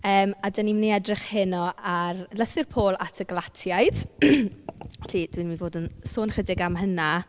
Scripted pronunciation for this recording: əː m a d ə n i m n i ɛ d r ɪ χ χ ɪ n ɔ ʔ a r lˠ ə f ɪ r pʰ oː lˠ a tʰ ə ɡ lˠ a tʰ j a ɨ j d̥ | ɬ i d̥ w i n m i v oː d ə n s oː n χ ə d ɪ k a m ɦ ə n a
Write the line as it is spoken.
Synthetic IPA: əː m a d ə n i m n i ɛ d r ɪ χ h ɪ n ɔ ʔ a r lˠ ə θ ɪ r pʰ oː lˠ a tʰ ə ɡ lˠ a tʰ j a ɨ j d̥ | ɬ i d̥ w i n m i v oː d ə n s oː n χ ə d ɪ ɡ a m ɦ ə n a